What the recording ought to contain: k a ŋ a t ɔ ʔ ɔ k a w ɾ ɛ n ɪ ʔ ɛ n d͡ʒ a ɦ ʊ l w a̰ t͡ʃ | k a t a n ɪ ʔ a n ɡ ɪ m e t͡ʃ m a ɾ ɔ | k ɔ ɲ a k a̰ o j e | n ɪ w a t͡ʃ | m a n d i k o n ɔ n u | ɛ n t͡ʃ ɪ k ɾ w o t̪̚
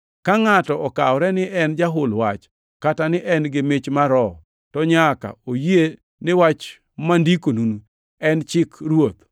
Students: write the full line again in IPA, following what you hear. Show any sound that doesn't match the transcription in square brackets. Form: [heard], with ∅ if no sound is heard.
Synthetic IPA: k a ŋ a t ɔ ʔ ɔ k a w ɾ ɛ n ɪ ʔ ɛ n d͡ʒ a ɦ ʊ l w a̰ t͡ʃ | k a t a n ɪ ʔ [ɛ] n ɡ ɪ m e t͡ʃ m a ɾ ɔ | [t] ɔ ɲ a k a̰ o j e | n ɪ w a t͡ʃ | m a n d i k o n [u] n u | ɛ n t͡ʃ ɪ k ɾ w o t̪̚